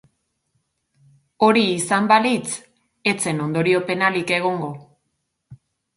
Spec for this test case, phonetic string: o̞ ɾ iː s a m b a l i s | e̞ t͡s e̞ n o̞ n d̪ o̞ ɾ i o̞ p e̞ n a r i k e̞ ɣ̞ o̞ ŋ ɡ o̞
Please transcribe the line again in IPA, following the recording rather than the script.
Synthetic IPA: o̞ ɾ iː s a m b a l i t͡s | e̞ t͡s e̞ n o̞ n d̪ o̞ ɾ i o̞ p e̞ n a l i k e̞ ɣ̞ o̞ ŋ ɡ o̞